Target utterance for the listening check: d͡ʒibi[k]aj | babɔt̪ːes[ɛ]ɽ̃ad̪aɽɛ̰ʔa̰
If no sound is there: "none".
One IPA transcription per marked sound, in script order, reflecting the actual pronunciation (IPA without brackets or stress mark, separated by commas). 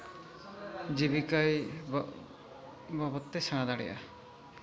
k, a